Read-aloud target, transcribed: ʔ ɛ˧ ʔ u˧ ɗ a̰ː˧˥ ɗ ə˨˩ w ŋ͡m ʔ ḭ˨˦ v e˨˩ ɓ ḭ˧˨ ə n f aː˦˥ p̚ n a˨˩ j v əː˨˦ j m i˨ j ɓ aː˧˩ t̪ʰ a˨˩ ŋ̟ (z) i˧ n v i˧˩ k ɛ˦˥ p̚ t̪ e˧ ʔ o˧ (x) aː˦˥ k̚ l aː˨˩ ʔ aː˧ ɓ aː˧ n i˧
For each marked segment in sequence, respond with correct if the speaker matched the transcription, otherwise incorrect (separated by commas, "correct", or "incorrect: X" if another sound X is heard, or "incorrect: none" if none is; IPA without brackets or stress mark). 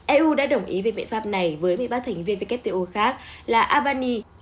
incorrect: v, correct